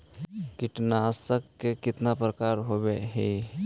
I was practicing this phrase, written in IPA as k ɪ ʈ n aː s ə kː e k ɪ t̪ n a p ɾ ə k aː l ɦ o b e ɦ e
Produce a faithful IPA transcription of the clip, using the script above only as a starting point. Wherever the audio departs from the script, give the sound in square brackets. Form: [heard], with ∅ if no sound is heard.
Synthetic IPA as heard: k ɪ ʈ n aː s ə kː e k ɪ t̪ n a p ɾ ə k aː [ɾ] ɦ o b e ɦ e